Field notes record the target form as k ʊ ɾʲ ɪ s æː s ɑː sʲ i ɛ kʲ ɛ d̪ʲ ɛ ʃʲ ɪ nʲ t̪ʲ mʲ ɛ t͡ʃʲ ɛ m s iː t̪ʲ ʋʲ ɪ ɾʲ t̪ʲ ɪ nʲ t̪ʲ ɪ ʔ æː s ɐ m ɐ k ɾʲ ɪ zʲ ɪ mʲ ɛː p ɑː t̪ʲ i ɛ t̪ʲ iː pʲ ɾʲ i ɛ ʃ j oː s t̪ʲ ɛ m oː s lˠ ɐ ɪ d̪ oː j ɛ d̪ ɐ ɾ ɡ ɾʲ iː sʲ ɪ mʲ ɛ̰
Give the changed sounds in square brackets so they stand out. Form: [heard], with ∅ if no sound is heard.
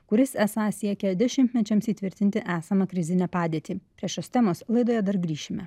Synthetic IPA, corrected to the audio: k ʊ ɾʲ ɪ s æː s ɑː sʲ i ɛ kʲ ɛ d̪ʲ ɛ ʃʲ ɪ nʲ t̪ʲ mʲ ɛ t͡ʃʲ ɛ m s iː t̪ʲ ʋʲ ɪ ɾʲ t̪ʲ ɪ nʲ t̪ʲ ɪ ʔ æː s ɐ m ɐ k ɾʲ ɪ zʲ ɪ [nʲ] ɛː p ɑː [d̪ʲ] i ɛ t̪ʲ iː pʲ ɾʲ i ɛ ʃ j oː s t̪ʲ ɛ m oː s lˠ ɐ ɪ d̪ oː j ɛ d̪ ɐ ɾ ɡ ɾʲ iː [ʃʲ] ɪ mʲ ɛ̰